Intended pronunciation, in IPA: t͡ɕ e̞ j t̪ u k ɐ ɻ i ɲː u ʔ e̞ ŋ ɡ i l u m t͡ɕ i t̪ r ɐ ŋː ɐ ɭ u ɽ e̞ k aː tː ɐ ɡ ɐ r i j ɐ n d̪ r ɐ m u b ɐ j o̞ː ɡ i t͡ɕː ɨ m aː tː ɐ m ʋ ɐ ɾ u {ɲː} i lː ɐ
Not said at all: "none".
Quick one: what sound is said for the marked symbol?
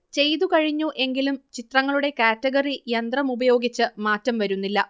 nː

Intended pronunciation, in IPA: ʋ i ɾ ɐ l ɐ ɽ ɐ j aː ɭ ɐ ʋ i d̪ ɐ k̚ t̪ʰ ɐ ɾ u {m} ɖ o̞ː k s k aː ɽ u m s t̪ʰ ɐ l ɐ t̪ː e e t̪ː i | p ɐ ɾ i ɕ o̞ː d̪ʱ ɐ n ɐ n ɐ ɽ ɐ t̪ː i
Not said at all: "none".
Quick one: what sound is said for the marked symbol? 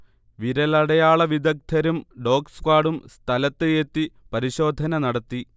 m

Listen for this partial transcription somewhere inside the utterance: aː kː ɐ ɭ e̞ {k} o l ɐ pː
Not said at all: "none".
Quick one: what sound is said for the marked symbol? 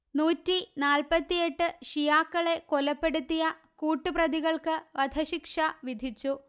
k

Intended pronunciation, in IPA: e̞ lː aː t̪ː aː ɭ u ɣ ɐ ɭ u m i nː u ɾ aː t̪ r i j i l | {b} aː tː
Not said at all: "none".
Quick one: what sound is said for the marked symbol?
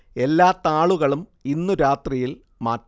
m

